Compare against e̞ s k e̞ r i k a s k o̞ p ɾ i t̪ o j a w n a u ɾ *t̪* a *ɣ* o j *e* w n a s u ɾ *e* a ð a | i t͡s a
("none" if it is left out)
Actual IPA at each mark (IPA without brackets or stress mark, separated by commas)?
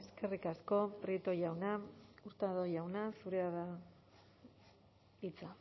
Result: t̪, ð, a, e